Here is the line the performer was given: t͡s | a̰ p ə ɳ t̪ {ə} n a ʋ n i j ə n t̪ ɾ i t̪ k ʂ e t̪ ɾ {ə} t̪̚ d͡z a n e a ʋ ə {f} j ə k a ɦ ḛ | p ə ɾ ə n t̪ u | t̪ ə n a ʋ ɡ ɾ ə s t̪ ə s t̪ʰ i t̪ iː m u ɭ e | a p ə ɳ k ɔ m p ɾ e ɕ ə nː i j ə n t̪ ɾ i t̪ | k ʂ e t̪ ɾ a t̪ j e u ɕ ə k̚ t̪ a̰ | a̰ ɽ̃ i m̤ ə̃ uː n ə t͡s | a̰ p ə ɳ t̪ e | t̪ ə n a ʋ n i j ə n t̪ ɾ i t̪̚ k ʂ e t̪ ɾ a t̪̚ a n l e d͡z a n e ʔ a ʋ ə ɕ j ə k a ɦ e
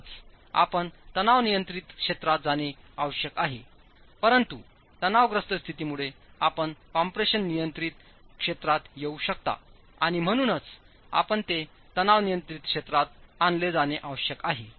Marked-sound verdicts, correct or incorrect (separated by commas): correct, incorrect, incorrect